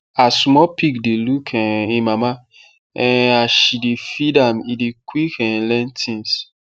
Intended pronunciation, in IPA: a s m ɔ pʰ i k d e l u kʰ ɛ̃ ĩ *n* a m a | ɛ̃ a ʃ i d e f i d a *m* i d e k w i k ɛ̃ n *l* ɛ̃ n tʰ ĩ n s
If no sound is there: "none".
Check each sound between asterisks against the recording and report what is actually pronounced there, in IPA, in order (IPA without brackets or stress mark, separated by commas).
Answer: m, m, l